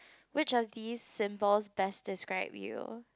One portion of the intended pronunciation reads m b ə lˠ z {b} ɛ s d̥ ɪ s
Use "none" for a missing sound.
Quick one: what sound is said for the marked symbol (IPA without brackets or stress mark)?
b